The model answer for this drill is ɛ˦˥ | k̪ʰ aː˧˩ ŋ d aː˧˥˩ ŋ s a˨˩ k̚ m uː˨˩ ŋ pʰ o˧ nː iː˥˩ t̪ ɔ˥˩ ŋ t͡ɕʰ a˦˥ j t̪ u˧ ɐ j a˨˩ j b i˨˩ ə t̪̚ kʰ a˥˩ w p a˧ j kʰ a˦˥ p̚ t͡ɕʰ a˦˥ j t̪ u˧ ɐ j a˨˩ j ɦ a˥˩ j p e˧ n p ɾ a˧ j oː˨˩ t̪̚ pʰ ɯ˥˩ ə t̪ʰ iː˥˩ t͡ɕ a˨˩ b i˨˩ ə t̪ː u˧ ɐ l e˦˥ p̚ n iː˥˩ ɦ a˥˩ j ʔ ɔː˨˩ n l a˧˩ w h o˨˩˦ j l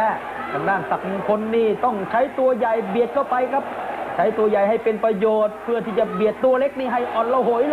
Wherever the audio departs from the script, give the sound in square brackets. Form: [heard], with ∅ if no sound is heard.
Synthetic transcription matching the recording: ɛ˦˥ | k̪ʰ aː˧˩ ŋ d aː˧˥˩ ŋ s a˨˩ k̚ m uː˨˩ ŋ [kʰ] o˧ nː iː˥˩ t̪ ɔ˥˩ ŋ t͡ɕʰ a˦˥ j t̪ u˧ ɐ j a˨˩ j b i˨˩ ə t̪̚ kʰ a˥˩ w p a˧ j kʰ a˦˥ p̚ t͡ɕʰ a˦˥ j t̪ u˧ ɐ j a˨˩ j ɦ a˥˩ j p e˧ n p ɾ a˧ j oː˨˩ t̪̚ pʰ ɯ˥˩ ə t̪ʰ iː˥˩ t͡ɕ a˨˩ b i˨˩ ə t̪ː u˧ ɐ l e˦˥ [k̚] n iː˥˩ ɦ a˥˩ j ʔ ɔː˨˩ n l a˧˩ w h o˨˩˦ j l